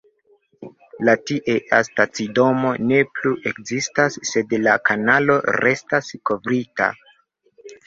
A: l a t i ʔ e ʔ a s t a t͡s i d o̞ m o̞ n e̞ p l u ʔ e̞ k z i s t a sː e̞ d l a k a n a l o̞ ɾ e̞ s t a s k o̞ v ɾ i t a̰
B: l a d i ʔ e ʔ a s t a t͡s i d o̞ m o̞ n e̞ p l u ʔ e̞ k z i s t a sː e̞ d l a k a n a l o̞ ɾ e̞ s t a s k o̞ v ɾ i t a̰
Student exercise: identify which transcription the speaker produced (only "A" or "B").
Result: A